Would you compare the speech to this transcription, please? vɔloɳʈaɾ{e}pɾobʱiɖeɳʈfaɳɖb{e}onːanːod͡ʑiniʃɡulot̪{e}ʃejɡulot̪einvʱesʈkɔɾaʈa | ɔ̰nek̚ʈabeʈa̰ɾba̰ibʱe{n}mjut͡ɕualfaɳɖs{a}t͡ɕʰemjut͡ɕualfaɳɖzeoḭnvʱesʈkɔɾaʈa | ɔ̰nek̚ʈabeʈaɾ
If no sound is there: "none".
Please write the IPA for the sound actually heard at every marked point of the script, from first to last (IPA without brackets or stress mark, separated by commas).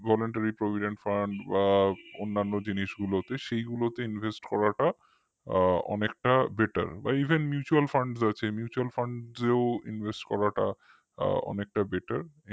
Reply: i, a, e, n, a